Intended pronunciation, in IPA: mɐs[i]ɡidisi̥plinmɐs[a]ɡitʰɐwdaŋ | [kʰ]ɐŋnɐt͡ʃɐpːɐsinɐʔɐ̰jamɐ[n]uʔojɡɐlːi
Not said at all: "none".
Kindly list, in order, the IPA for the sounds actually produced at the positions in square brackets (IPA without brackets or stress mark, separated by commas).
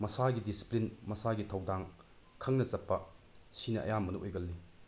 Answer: a, a, kʰ, n